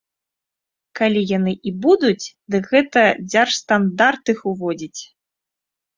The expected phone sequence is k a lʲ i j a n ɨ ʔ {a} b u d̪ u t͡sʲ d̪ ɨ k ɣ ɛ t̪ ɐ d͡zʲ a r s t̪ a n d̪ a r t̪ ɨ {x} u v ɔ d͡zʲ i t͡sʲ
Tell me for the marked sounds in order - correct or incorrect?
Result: incorrect, correct

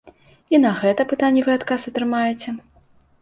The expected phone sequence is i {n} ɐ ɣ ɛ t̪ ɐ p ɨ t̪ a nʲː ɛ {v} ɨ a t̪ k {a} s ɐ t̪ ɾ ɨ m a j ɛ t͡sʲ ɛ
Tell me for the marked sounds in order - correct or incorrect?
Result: correct, correct, correct

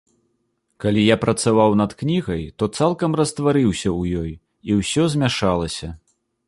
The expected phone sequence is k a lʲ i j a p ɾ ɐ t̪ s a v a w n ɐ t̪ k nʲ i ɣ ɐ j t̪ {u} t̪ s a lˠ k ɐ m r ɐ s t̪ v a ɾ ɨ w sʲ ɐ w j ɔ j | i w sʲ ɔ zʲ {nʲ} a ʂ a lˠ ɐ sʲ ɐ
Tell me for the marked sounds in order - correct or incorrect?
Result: incorrect, incorrect

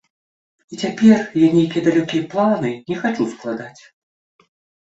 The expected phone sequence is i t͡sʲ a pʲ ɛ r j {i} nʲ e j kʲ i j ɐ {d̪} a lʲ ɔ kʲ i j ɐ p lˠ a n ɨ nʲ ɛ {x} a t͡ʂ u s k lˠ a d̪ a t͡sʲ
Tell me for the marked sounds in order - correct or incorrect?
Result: incorrect, correct, correct

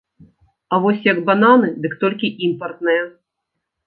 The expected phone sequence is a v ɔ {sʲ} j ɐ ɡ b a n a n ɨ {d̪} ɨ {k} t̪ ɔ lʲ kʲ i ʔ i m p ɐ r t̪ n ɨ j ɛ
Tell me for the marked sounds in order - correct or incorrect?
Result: correct, correct, correct

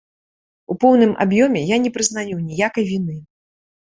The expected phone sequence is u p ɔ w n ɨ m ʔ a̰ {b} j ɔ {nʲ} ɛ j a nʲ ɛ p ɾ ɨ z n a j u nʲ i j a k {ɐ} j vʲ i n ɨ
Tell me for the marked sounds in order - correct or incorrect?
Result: correct, incorrect, correct

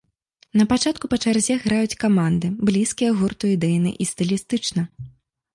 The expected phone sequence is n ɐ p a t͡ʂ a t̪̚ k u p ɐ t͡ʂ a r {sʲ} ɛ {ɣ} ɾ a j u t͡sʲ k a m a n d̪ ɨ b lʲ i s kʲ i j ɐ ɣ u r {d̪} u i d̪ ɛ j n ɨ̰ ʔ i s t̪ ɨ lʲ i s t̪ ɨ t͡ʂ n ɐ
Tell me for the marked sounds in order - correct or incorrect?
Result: incorrect, correct, incorrect

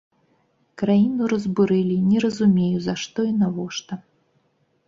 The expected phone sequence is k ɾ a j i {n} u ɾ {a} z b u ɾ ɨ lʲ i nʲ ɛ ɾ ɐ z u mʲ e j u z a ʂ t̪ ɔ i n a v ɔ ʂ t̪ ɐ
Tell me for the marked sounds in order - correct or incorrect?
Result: correct, incorrect

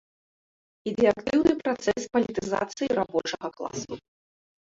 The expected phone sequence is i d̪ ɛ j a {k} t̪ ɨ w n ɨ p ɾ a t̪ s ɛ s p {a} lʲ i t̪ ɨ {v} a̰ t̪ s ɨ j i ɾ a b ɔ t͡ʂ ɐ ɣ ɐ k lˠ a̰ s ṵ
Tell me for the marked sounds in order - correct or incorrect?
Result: correct, incorrect, incorrect

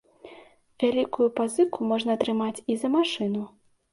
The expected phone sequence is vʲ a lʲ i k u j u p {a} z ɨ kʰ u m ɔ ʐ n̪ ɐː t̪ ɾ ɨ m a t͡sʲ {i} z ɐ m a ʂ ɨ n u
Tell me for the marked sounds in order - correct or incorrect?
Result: correct, correct

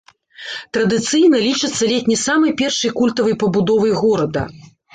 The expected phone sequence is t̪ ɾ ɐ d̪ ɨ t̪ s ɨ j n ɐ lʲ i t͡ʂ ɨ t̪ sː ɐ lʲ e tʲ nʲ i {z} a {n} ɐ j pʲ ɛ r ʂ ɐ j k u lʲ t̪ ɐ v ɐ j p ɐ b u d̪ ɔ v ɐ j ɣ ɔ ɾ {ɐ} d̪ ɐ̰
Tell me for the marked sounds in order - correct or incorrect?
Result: incorrect, incorrect, correct

